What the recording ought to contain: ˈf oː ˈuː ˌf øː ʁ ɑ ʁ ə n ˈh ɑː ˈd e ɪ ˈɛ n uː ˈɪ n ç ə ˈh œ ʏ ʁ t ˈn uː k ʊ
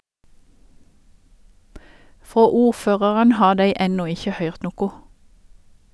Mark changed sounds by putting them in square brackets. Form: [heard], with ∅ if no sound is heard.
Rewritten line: ˈf oː ˈuː ˌf øː ʁ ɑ ʁ ə n ˈh ɑː ˈd e ɪ ˈɛ n uː ˈɪ [∅] ç ə ˈh œ ʏ ʁ t ˈn uː k ʊ